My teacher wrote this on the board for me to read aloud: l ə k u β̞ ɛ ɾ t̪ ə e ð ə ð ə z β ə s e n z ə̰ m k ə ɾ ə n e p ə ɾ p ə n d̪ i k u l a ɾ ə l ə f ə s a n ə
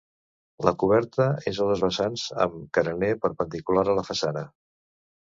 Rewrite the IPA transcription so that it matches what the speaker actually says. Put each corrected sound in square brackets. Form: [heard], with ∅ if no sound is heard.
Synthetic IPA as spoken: l ə k u β̞ ɛ ɾ t̪ ə e [z] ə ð ə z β ə s [a] n z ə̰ m k ə ɾ ə n e p ə ɾ p ə n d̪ i k u l a ɾ ə l ə f ə s a n ə